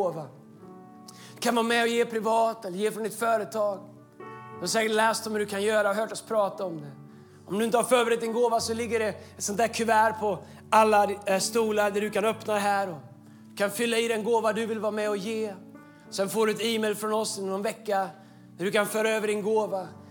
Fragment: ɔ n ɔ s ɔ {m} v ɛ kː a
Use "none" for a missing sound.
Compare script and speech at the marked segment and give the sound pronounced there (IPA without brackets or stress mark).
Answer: n